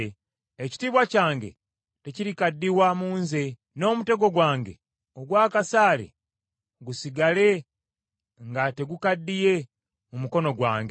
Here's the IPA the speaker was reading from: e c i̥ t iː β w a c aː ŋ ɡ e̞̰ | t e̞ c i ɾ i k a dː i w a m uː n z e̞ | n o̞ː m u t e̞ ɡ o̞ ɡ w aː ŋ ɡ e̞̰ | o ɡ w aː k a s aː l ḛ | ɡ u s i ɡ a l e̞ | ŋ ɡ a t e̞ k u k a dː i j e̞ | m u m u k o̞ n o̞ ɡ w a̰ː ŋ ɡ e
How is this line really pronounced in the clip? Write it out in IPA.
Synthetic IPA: e c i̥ t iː β w a c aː ŋ ɡ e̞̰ | t e̞ c i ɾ i k a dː i w a m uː n z e̞ | n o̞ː m u t e̞ ɡ o̞ ɡ w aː ŋ ɡ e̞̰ | o ɡ w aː k a s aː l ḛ | ɡ u s i ɡ a l e̞ | ŋ ɡ a t e̞ ɡ u k a dː i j e̞ | m u m u k o̞ n o̞ ɡ w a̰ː ŋ ɡ e